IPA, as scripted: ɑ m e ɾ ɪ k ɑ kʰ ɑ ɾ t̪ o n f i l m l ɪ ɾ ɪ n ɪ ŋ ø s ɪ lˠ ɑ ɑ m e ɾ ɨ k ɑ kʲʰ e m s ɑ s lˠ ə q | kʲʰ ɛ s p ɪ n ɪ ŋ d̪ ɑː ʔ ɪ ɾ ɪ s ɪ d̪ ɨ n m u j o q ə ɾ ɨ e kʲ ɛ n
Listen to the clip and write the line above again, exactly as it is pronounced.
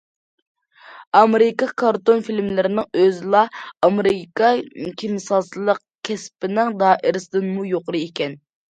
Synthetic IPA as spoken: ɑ m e ɾ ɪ k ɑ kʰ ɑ ɾ t̪ o n f i l m l ɪ ɾ ɪ n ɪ ŋ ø z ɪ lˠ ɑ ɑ m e ɾ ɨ k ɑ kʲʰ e m s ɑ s lˠ ə q | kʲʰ ɛ s p ɪ n ɪ ŋ d̪ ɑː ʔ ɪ ɾ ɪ s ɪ d̪ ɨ n m u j o q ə ɾ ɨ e kʲ ɛ n